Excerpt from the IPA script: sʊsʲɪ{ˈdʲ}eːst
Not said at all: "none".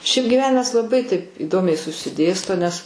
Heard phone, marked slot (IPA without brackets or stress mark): dʲ